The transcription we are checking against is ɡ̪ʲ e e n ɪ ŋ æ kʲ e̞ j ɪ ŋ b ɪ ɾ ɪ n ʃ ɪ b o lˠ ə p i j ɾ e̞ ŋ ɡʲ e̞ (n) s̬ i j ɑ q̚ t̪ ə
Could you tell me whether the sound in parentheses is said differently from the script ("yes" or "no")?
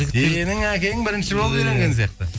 no